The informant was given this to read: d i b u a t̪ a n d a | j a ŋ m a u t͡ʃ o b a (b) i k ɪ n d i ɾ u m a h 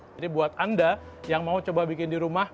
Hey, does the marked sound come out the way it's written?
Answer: yes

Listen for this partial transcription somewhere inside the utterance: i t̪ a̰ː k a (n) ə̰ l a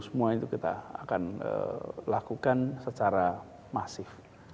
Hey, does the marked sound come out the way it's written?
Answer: yes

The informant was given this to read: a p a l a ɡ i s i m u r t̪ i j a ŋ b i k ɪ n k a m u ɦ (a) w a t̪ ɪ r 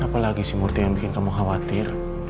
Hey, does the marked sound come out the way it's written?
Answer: yes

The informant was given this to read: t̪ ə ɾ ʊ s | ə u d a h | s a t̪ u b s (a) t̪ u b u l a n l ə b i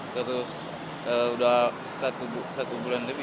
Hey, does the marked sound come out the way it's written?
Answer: yes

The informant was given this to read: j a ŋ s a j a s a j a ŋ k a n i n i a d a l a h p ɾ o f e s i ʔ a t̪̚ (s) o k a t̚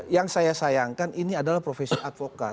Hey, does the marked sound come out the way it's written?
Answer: no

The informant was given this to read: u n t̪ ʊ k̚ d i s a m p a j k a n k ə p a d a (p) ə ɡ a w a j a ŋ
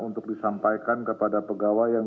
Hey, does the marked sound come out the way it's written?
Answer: yes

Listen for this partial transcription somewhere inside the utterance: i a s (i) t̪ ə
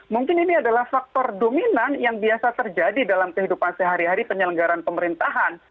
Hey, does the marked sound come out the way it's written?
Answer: no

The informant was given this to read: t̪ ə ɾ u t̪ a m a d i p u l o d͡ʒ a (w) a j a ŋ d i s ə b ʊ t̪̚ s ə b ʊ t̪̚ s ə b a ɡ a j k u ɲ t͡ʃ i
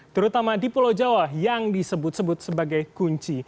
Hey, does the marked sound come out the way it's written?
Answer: yes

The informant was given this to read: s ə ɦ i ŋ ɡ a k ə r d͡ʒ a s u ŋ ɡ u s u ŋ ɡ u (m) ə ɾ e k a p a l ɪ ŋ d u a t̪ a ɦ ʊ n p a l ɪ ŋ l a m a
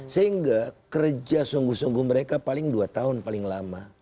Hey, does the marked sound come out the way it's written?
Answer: yes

